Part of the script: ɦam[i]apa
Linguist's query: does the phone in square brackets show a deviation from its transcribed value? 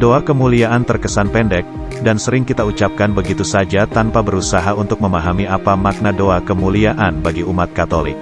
no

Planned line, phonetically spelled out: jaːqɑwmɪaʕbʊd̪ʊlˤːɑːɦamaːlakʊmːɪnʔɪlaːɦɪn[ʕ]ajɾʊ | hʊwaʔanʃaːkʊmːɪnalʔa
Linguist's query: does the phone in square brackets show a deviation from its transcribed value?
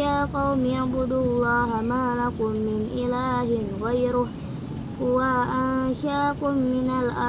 yes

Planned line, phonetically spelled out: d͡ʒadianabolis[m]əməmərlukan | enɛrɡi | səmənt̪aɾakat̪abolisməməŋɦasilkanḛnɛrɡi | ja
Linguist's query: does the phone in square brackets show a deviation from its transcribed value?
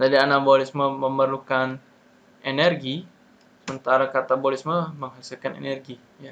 no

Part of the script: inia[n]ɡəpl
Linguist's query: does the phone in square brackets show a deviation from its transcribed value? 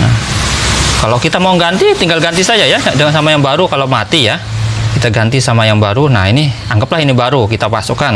yes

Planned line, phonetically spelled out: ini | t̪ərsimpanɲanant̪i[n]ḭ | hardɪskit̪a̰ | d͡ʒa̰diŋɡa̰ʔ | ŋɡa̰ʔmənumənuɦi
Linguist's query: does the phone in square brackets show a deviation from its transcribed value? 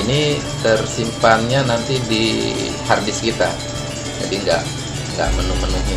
yes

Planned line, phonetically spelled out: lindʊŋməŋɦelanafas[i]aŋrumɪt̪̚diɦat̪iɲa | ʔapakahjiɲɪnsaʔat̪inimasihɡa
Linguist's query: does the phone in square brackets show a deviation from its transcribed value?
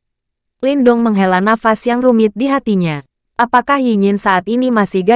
yes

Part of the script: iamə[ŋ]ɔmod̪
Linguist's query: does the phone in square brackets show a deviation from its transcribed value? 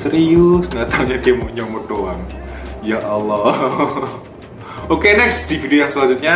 yes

